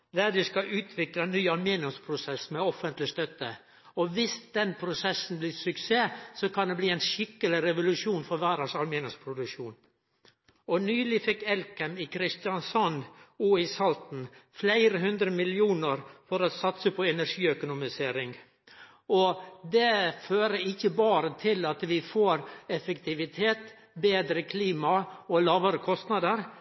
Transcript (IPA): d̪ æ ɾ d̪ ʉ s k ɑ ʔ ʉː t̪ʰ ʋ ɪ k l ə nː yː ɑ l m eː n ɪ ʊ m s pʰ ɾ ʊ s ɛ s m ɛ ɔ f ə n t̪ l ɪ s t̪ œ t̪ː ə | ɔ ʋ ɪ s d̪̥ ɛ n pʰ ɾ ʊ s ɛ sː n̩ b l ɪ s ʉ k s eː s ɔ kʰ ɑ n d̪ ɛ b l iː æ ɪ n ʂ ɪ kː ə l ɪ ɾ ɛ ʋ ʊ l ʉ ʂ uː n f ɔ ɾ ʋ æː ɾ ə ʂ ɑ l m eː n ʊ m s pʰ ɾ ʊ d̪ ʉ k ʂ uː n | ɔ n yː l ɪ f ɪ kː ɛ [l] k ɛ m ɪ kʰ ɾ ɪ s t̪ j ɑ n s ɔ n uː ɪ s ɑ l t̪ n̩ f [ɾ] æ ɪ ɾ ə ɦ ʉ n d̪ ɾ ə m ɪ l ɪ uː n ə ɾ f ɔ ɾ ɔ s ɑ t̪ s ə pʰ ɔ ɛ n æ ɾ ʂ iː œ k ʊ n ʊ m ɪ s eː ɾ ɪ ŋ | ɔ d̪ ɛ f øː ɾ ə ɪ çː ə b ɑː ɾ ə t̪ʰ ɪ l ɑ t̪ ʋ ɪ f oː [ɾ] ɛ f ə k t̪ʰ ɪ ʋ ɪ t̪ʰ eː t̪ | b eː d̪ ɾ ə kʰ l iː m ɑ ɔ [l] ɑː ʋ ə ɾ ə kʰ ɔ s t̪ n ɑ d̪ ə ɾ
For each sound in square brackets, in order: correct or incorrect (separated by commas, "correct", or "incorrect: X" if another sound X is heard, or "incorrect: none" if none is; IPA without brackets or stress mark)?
correct, incorrect: l, correct, correct